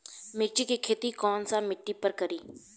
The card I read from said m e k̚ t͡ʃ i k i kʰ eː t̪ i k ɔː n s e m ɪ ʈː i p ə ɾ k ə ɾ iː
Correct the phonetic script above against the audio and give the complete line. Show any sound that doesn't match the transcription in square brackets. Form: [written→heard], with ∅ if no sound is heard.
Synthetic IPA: m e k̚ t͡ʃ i k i kʰ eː t̪ i k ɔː n s [e→a] m ɪ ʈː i p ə ɾ k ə ɾ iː

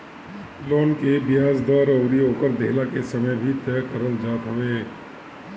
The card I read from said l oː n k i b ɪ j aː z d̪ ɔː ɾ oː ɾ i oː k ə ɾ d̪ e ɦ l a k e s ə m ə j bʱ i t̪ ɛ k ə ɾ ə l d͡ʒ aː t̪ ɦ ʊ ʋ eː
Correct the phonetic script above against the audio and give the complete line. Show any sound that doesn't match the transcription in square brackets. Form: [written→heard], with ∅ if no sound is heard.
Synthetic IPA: l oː n k [i→e] b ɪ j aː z d̪ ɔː ɾ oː ɾ i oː k ə ɾ d̪ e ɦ l a k e s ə m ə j bʱ i t̪ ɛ k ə ɾ ə l d͡ʒ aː t̪ ɦ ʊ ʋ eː

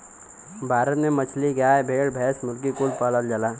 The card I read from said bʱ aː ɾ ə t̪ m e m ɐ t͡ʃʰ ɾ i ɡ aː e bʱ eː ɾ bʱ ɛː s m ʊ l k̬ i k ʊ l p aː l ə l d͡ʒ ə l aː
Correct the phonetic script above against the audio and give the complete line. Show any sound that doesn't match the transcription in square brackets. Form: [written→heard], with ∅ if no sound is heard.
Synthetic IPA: bʱ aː ɾ ə t̪ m e m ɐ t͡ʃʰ [ɾ→l] i ɡ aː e bʱ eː [ɾ→ɽ] bʱ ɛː s m ʊ l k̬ i k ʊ l p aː l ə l d͡ʒ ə l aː

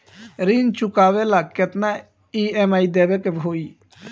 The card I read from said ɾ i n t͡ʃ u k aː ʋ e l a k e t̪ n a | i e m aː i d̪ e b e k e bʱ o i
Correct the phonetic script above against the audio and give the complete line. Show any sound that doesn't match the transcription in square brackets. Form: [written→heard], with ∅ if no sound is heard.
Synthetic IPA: ɾ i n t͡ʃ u k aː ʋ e l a k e t̪ n a | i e m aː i d̪ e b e k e bʱ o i

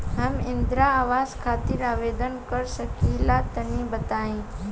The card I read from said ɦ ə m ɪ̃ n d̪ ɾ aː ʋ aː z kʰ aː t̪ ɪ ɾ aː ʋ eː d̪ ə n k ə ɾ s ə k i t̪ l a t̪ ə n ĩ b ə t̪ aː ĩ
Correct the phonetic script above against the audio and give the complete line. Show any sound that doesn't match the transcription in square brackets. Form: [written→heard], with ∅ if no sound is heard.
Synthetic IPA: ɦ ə m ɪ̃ n d̪ ɾ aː ʋ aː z kʰ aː t̪ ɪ ɾ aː ʋ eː d̪ ə n k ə ɾ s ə k i [t̪→∅] l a t̪ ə n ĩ b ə t̪ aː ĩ

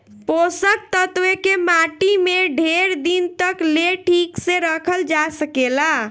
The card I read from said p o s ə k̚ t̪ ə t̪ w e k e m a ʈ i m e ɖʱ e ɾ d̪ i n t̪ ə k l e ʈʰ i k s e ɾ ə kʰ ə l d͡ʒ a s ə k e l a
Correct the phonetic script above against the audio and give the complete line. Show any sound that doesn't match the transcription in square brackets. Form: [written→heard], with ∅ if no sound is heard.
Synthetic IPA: p o s ə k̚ t̪ ə t̪ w e k e m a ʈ i m e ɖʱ e ɾ d̪ i n t̪ ə k l e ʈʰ i k s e ɾ ə kʰ ə l d͡ʒ a s ə k e l a

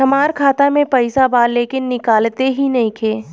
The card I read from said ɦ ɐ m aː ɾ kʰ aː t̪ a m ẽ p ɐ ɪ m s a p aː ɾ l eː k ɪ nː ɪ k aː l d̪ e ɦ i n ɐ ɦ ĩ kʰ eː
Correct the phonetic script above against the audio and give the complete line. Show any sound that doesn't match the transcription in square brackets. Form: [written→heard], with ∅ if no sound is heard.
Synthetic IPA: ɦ ɐ m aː ɾ kʰ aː t̪ a m ẽ p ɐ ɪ [m→∅] s a [p→b] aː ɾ l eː k ɪ nː ɪ k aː l [d̪→t̪] e ɦ i n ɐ ɦ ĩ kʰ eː

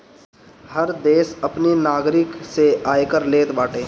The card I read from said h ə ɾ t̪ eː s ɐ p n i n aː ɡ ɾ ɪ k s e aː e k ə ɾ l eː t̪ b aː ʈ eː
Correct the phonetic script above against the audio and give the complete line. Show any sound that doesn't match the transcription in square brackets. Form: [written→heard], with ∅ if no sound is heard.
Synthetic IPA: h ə ɾ [t̪→d̪] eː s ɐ p n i n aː ɡ ɾ ɪ k s e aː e k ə ɾ l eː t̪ b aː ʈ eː

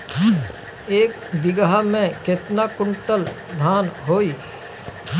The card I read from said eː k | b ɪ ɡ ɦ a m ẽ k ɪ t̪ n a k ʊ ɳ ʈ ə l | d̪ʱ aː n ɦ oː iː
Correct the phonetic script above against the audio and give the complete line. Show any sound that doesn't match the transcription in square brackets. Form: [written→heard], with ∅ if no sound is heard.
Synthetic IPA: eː k | b ɪ ɡ ɦ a m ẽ k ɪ t̪ n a k ʊ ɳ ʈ ə l | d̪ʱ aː n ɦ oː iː

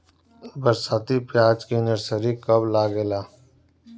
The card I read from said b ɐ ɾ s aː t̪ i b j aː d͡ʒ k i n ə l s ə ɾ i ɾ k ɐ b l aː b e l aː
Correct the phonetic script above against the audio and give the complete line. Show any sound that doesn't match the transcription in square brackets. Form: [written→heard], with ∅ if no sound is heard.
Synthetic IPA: b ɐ ɾ s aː t̪ i [b→p] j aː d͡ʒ k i n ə [l→ɾ] s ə ɾ i [ɾ→∅] k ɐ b l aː [b→ɡ] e l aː

